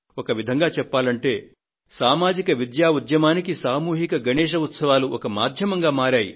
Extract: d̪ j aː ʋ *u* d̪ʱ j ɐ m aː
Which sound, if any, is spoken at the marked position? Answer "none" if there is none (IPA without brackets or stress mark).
u